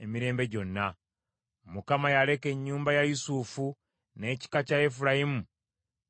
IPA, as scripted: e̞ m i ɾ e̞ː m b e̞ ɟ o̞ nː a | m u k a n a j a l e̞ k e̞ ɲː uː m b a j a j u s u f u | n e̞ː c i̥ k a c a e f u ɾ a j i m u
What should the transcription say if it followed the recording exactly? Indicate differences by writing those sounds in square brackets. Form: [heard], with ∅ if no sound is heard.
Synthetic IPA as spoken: e̞ m i ɾ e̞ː m b e̞ ɟ o̞ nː a | m u k a [m] a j a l e̞ k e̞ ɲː uː m b a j a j u s u f u | n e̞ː c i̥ k a c a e f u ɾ a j i m u